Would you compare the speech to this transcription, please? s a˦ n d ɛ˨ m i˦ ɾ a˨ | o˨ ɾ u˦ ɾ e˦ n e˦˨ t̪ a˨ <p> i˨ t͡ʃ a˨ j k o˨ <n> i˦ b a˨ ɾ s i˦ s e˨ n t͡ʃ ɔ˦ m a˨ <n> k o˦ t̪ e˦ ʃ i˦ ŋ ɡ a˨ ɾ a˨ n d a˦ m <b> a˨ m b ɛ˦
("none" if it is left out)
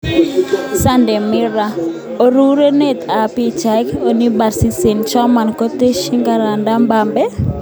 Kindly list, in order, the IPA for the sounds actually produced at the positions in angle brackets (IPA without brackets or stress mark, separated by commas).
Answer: p, n, n, b